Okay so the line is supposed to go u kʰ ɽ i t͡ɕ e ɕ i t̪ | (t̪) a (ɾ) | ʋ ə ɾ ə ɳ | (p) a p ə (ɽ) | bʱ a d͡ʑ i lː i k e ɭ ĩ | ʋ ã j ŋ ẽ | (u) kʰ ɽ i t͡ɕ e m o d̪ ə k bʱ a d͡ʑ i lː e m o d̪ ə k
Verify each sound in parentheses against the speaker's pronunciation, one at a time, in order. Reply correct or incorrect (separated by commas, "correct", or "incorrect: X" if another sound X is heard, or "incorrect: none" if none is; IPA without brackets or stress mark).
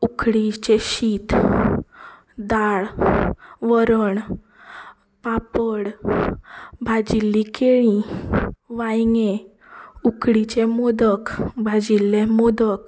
incorrect: d̪, incorrect: ɭ, correct, correct, correct